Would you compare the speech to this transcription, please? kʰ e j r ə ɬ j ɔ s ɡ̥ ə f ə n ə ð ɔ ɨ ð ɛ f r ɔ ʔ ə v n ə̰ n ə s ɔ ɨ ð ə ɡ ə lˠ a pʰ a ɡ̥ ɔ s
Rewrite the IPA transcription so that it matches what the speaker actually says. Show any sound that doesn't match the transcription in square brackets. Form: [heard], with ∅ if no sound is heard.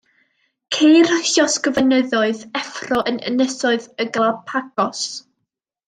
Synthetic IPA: kʰ e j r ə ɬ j ɔ s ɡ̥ ə [v] ə n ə ð ɔ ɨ ð ɛ f r ɔ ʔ ə [∅] n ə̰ n ə s ɔ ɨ ð ə ɡ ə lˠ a pʰ a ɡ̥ ɔ s

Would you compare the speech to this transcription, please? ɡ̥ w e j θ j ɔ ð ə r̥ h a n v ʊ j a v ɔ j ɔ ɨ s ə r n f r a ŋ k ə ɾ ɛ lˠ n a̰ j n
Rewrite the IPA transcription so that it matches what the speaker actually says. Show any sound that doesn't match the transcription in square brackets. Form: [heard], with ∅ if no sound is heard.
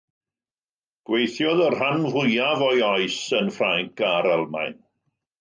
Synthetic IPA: ɡ̥ w e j θ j ɔ ð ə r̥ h a n v ʊ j a v ɔ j ɔ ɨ s ə [∅] n f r a ŋ k [a] ɾ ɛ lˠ [m] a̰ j n

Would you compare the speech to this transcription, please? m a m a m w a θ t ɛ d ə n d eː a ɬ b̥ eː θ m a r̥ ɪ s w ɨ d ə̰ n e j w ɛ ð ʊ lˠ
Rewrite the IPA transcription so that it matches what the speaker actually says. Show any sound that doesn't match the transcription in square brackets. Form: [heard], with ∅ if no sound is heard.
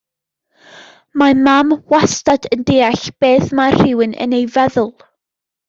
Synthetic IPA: m a m a m w a [s] t [a] d ə n d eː a ɬ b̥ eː θ m a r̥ ɪ [∅] w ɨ [n] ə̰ n e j [v] ɛ ð ʊ lˠ

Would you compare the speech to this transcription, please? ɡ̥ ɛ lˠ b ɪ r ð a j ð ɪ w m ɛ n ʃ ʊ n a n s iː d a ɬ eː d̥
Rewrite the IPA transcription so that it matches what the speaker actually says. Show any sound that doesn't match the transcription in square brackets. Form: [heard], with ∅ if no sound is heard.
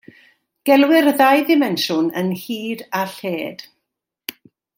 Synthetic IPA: ɡ̥ ɛ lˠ [w] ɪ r ð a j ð ɪ [∅] m ɛ n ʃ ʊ n [ə] n [h] iː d a ɬ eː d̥

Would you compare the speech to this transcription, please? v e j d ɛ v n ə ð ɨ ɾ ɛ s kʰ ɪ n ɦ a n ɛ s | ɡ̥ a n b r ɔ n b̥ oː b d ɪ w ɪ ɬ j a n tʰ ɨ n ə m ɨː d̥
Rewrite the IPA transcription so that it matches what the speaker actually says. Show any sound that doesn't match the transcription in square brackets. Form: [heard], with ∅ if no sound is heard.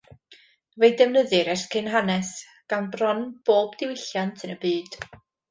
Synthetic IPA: v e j d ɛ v n ə ð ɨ ɾ ɛ s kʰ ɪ n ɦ a n ɛ s | ɡ̥ a n b r ɔ n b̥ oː b d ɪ w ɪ ɬ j a n tʰ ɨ n ə [b] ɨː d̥

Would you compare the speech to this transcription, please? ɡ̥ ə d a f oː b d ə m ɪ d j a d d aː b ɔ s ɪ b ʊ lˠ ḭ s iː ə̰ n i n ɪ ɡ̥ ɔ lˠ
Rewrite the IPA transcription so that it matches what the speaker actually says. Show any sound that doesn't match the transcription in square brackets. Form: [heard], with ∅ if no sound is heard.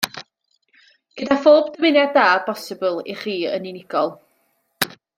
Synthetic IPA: ɡ̥ ə d a f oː b d ə m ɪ [n] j a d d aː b ɔ s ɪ b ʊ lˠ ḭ [χ] iː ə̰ n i n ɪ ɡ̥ ɔ lˠ

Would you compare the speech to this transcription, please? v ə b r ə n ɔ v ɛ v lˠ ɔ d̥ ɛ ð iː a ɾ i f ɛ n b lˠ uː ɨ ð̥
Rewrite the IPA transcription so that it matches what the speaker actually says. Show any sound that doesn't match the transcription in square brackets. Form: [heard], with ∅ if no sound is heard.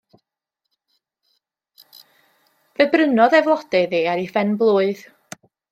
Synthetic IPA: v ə b r ə n ɔ [ð] ɛ v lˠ ɔ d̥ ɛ ð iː a ɾ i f ɛ n b lˠ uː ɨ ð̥

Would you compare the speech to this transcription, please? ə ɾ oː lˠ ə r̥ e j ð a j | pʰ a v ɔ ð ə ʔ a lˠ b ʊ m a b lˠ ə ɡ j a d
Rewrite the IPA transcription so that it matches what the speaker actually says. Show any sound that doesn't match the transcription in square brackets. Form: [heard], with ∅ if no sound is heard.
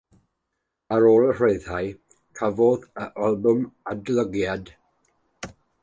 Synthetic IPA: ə ɾ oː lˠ ə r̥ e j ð a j | [kʰ] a v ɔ ð ə ʔ a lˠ b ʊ m a [d] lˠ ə ɡ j a d

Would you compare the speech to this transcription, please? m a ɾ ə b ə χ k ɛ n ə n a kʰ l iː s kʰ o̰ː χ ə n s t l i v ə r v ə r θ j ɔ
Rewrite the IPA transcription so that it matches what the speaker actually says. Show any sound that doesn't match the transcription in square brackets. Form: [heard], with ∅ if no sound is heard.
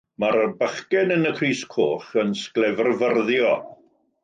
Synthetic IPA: m a ɾ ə b ə χ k ɛ n ə n [ə] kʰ [r] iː s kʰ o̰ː χ ə n s [k] l [ɛ] v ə r v ə r [ð] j ɔ

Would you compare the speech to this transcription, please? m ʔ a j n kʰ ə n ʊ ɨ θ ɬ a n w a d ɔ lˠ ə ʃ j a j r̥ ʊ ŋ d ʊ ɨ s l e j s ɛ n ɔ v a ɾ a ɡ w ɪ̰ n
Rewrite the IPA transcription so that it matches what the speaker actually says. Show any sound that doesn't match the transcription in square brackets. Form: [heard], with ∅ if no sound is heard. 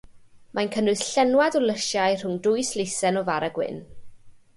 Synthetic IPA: m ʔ a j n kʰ ə n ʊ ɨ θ ɬ [ɛ] n w a d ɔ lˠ ə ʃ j a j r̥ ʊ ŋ d ʊ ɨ s l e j s ɛ n ɔ v a ɾ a ɡ w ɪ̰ n

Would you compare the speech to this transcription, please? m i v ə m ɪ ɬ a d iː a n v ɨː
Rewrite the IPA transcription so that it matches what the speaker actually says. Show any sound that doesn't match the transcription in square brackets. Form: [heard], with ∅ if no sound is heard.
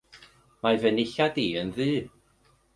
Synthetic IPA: m [a] v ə [n] ɪ ɬ a d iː [ə] n [ð] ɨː

